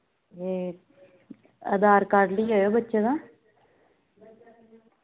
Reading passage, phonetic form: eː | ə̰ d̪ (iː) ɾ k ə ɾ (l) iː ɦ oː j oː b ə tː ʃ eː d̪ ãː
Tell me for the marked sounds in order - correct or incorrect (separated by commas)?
incorrect, correct